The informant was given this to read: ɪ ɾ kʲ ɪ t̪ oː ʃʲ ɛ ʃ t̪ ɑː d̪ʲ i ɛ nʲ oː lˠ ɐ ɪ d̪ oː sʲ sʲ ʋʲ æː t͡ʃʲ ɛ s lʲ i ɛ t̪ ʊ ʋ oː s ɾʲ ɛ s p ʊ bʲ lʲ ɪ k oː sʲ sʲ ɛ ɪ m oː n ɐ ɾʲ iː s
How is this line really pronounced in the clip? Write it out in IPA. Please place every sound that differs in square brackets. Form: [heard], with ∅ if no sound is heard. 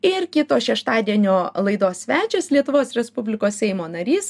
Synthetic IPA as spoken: ɪ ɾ kʲ ɪ t̪ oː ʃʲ ɛ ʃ t̪ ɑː d̪ʲ i ɛ nʲ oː lˠ ɐ ɪ d̪ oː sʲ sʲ ʋʲ æː t͡ʃʲ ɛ s lʲ i ɛ t̪ ʊ ʋ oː s ɾʲ ɛ s p ʊ bʲ lʲ ɪ k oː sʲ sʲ ɛ ɪ m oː n ɐ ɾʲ iː s

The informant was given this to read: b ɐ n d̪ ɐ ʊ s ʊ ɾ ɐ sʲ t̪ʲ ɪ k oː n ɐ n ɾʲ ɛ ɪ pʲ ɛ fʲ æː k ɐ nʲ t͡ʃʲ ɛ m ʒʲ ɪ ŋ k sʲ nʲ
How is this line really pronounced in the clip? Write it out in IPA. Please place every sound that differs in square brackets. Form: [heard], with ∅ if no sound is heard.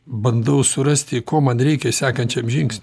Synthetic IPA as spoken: b ɐ n d̪ ɐ ʊ s ʊ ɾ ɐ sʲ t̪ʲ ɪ k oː [m] ɐ n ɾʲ ɛ ɪ [kʲ] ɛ [sʲ] æː k ɐ nʲ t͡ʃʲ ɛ m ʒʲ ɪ ŋ k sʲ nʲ

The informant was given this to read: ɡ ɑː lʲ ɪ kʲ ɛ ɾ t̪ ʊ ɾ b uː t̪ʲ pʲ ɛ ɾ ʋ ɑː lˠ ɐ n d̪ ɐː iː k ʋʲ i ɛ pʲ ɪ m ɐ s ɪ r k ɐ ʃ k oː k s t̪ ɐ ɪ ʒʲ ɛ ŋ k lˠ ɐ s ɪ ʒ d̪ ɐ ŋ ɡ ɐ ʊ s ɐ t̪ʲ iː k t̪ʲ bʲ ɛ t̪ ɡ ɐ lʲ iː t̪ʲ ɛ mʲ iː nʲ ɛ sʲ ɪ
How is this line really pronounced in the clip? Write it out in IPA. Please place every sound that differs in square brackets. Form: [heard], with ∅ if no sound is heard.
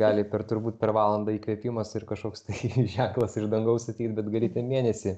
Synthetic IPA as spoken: ɡ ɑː lʲ ɪ [pʲ] ɛ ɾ t̪ ʊ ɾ b uː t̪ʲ pʲ ɛ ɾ ʋ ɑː lˠ ɐ n d̪ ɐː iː k ʋʲ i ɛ pʲ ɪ m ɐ s ɪ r k ɐ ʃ k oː k s t̪ ɐ ɪ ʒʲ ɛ ŋ k lˠ ɐ s ɪ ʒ d̪ ɐ ŋ ɡ ɐ ʊ s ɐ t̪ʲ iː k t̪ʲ bʲ ɛ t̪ ɡ ɐ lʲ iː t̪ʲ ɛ mʲ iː nʲ ɛ sʲ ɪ

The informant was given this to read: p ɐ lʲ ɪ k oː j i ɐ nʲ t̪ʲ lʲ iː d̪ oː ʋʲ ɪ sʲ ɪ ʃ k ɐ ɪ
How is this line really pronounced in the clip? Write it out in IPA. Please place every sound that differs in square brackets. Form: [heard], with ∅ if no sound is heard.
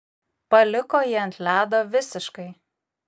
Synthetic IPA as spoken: p ɐ lʲ ɪ k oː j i ɐ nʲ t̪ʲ lʲ [æː] d̪ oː ʋʲ ɪ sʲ ɪ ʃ k ɐ ɪ

